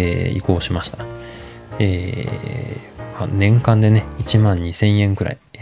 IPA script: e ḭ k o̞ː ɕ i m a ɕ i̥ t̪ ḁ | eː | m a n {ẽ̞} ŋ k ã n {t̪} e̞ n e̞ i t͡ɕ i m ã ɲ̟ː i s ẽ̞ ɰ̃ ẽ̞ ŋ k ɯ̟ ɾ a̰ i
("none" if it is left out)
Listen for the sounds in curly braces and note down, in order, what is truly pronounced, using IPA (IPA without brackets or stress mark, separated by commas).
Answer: ẽ̞, d̪